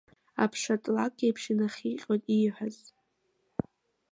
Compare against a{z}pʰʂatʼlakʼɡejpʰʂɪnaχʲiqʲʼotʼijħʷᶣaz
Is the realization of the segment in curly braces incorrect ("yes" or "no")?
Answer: yes